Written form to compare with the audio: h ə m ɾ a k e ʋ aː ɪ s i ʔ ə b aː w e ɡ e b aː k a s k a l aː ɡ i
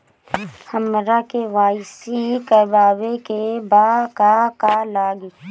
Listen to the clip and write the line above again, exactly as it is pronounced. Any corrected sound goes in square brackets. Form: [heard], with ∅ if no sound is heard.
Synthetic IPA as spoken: h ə m ɾ a k e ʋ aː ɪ s i [k] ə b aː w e [k] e b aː k a [∅] k a l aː ɡ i

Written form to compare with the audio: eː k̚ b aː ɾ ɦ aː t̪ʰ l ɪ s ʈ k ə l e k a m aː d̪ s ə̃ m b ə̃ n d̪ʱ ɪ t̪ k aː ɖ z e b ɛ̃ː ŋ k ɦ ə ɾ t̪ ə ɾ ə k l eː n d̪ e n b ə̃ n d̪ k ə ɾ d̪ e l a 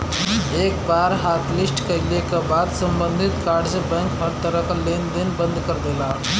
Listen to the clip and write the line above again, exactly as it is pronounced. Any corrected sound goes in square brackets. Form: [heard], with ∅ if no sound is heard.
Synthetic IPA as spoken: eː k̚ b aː ɾ ɦ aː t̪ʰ l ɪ s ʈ k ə l e k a [b] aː d̪ s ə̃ m b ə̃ n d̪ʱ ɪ t̪ k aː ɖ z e b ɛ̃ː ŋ k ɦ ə ɾ t̪ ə ɾ ə k l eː n d̪ e n b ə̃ n d̪ k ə ɾ d̪ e l a

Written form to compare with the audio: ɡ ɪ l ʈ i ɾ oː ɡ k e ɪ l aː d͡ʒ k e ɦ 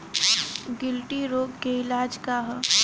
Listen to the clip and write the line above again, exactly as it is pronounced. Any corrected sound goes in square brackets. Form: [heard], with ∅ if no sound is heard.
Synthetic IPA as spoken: ɡ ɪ l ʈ i ɾ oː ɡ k e ɪ l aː d͡ʒ k [a] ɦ

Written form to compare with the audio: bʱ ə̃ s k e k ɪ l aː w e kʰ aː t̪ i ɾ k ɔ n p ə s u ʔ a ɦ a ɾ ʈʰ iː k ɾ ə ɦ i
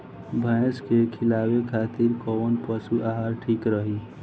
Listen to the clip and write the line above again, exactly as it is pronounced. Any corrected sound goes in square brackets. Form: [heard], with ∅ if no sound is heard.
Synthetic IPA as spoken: bʱ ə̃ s k e [kʰ] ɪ l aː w e kʰ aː t̪ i ɾ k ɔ n p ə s u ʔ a ɦ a ɾ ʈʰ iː k ɾ ə ɦ i

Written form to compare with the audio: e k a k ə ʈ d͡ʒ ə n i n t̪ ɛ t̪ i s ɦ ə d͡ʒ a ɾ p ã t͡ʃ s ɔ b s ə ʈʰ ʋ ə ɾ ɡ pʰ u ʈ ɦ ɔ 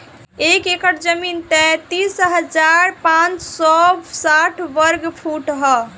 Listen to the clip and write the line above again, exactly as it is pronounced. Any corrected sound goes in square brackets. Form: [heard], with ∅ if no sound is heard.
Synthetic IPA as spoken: e k [e] k ə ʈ d͡ʒ ə [m] i n t̪ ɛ t̪ i s ɦ ə d͡ʒ a ɾ p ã t͡ʃ s ɔ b s [a] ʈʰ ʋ ə ɾ ɡ pʰ u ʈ ɦ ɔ

